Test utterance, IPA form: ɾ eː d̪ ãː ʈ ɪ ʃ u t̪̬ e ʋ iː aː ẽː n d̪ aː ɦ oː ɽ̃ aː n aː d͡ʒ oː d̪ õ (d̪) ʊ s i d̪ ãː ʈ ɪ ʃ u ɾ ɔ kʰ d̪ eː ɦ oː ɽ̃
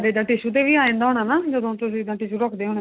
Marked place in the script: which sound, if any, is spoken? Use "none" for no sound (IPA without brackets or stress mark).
t̪